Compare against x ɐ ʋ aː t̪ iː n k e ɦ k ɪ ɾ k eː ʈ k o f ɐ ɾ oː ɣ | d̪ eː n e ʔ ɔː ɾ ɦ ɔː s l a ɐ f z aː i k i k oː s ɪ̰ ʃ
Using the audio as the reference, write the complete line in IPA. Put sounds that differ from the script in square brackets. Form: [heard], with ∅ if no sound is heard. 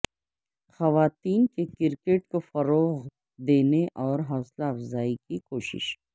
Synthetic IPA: x ɐ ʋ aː t̪ iː n k e [∅] k ɪ ɾ k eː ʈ k o f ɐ ɾ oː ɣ | d̪ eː n e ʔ ɔː ɾ ɦ ɔː s l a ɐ f z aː i k i k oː [ʃ] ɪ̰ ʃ